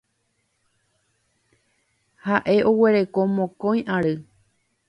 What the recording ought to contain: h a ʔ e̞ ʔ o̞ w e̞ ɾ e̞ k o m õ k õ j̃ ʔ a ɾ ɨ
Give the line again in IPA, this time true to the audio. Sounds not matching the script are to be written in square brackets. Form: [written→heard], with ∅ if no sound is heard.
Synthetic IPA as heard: h a ʔ e̞ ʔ o̞ w e̞ ɾ e̞ k o m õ k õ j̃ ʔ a ɾ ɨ